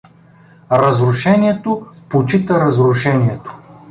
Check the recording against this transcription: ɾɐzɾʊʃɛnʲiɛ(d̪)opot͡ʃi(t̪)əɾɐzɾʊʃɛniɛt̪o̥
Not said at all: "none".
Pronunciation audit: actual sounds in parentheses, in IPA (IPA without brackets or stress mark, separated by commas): t̪, t̪